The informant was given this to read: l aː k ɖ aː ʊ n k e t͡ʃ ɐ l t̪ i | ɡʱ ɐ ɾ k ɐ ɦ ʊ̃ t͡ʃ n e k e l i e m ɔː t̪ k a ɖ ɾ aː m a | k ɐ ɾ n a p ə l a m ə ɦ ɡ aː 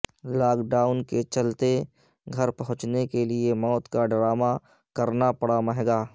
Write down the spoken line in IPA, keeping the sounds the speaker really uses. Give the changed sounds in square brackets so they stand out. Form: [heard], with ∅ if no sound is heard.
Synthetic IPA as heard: l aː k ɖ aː ʊ n k e t͡ʃ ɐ l t̪ [e] | ɡʱ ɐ ɾ [p] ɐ ɦ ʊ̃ t͡ʃ n e k e l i e m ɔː t̪ k a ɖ ɾ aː m a | k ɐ ɾ n a p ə [ɽ] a m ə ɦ ɡ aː

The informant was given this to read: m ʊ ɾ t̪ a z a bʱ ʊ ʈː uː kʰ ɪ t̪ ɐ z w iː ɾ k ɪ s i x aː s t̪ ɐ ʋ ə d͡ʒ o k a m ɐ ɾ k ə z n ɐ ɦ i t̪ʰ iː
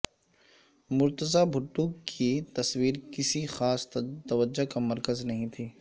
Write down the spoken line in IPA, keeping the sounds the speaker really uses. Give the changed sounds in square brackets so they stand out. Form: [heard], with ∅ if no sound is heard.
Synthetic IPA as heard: m ʊ ɾ t̪ [ə] z a bʱ ʊ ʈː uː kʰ [i] t̪ ɐ [s] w iː ɾ k ɪ s i x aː s t̪ ɐ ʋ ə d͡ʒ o k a m ɐ ɾ k ə z n ɐ ɦ [ĩ] t̪ʰ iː

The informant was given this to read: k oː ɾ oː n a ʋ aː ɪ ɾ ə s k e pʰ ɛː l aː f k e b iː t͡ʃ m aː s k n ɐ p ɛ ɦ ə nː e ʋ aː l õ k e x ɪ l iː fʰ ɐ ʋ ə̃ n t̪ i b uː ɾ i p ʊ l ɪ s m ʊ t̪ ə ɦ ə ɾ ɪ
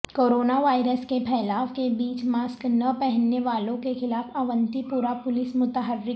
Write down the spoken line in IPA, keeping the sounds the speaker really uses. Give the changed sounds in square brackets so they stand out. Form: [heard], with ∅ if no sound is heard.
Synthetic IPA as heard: k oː ɾ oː n a ʋ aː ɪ ɾ ə s k e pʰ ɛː l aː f k e b iː t͡ʃ m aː s k n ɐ p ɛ ɦ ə nː e ʋ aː l õ k e x ɪ l [aː] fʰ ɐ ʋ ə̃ n t̪ i [p] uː ɾ [a] p ʊ l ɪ s m ʊ t̪ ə ɦ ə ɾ ɪ

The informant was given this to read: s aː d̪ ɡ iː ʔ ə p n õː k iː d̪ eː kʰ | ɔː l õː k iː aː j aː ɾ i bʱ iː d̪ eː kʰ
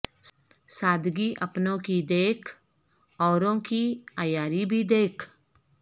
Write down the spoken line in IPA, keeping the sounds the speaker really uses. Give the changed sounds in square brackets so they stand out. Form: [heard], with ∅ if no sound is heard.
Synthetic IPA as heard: s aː d̪ ɡ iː ʔ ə p n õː k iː d̪ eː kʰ | ɔː [ɾ] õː k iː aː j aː ɾ i bʱ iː d̪ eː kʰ

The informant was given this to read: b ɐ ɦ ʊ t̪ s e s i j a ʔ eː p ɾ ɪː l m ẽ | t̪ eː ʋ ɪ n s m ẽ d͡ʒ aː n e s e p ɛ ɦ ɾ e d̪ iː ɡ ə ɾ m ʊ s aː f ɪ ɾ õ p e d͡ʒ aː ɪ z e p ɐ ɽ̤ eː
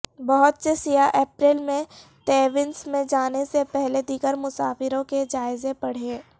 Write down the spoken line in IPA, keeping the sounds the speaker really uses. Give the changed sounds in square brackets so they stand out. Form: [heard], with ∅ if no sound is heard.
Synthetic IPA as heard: b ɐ ɦ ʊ t̪ s e s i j a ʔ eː p ɾ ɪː l m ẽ | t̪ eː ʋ ɪ n s m ẽ d͡ʒ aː n e s e p ɛ ɦ [l] e d̪ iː ɡ ə ɾ m ʊ s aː f ɪ ɾ õ [k] e d͡ʒ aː ɪ z e p ɐ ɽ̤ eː

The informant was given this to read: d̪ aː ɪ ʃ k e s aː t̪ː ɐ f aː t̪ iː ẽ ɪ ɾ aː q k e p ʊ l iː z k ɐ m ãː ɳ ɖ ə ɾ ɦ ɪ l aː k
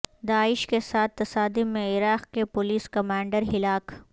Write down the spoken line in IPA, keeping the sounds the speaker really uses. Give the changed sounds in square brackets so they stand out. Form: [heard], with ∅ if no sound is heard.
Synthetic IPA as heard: d̪ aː ɪ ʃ k e s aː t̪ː ɐ [s] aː [d̪] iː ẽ ɪ ɾ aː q k e p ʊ l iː [s] k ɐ m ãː ɳ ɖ ə ɾ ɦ ɪ l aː k

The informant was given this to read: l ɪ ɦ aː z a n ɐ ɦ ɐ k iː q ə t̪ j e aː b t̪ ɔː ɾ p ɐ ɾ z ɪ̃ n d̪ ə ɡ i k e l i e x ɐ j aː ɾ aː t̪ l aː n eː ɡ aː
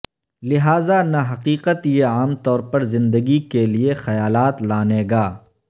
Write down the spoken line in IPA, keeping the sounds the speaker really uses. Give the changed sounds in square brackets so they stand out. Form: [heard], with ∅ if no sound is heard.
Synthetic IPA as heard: l ɪ ɦ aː z a n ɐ ɦ ɐ [q] iː q ə t̪ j e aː [m] t̪ ɔː ɾ p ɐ ɾ z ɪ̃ n d̪ ə ɡ i k e l i e x ɐ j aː [l] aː t̪ l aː n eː ɡ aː

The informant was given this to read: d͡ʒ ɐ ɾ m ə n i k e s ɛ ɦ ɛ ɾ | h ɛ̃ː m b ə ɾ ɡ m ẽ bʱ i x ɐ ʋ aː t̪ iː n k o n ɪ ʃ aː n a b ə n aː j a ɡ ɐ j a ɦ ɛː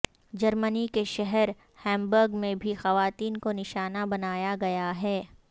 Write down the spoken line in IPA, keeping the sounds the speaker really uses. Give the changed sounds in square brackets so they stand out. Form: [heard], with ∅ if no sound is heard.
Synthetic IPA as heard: d͡ʒ ɐ ɾ m ə n i k e [ʃ] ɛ ɦ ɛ ɾ | h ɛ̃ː m b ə ɾ ɡ m ẽ bʱ i x ɐ ʋ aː t̪ iː n k o n ɪ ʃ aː n a b [ɐ] n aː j a ɡ ɐ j a ɦ ɛː

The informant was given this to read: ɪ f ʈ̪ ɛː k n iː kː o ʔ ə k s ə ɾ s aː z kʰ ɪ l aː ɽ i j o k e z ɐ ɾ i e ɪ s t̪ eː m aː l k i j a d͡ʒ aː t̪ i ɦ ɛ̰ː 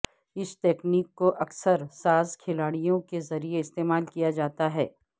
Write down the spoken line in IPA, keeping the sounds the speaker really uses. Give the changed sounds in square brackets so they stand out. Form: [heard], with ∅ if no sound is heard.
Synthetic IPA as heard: ɪ [s] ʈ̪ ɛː k n iː kː o ʔ [ɐ] k s ə ɾ s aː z kʰ ɪ l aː ɽ i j [õ] k e z ɐ ɾ i e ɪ s t̪ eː m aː l k i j a d͡ʒ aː t̪ [a] ɦ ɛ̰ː

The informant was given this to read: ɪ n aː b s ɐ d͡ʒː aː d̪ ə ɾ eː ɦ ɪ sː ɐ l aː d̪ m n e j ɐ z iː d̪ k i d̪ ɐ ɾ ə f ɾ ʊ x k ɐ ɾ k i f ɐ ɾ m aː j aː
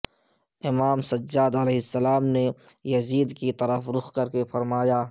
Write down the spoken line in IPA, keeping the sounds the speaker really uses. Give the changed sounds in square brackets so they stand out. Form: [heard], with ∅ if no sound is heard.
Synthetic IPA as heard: ɪ [m] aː [m] s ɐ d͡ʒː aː d̪ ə [l] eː ɦ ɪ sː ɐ l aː [∅] m n e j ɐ z iː d̪ k i [t̪] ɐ ɾ ə f ɾ ʊ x k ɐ ɾ k [e] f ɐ ɾ m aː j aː

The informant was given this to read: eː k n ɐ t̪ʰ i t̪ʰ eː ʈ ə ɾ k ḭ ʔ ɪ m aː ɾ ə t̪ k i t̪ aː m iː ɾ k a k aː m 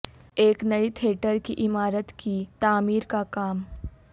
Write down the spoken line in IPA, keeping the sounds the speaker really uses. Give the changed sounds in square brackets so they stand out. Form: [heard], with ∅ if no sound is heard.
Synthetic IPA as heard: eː k n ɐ [∅] i t̪ʰ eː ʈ ə ɾ k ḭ ʔ ɪ m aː ɾ ə t̪ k i t̪ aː m iː ɾ k a k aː m

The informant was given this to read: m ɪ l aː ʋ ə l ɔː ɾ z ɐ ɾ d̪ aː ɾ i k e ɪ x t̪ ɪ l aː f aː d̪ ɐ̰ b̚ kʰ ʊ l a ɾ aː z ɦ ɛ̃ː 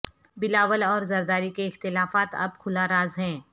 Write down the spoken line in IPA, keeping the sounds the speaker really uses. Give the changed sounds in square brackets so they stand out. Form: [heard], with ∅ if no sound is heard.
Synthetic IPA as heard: [b] ɪ l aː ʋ ə l ɔː ɾ z ɐ ɾ d̪ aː ɾ i k e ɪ x t̪ ɪ l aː f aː [t̪] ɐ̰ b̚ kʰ ʊ l a ɾ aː z ɦ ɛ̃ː

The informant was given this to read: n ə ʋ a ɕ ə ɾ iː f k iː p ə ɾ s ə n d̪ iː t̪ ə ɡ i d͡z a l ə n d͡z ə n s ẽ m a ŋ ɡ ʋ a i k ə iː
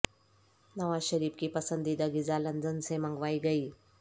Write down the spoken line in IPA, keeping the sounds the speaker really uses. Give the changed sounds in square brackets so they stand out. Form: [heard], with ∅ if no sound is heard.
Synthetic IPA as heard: n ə ʋ a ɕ ə ɾ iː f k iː p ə [∅] s ə n d̪ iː [d̪] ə ɡ i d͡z a l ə n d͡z ə n s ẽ m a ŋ ɡ ʋ a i [ɡ] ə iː

